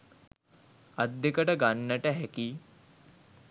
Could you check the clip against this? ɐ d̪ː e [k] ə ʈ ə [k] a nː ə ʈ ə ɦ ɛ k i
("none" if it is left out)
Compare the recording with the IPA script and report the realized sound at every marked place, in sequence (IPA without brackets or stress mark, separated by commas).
k, ɡ